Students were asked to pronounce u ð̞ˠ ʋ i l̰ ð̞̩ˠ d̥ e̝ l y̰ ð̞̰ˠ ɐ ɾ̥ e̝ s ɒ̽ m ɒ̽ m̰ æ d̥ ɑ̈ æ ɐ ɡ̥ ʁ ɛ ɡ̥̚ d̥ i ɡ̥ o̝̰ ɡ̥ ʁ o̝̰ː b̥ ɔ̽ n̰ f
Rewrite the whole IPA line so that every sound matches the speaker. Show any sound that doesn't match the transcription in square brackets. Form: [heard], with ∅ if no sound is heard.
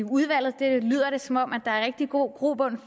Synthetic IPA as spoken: u ð̞ˠ ʋ [æ] l̰ ð̞̩ˠ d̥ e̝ l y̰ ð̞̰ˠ ɐ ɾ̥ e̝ s ɒ̽ m ɒ̽ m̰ æ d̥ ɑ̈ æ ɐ [∅] ʁ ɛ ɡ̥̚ d̥ i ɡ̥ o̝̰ ɡ̥ ʁ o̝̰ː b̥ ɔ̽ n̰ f